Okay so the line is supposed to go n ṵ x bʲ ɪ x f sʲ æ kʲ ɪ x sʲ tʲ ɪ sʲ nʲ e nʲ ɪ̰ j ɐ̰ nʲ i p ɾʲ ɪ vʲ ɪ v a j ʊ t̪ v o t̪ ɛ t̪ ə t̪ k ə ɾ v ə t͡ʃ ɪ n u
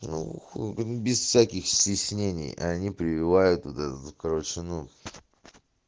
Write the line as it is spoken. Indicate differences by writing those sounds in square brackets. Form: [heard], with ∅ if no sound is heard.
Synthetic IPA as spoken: n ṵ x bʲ ɪ [s] f sʲ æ kʲ ɪ x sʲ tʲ ɪ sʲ nʲ e nʲ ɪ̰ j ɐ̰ nʲ i p ɾʲ ɪ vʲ ɪ v a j ʊ t̪ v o t̪ ɛ t̪ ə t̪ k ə ɾ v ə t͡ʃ ɪ n u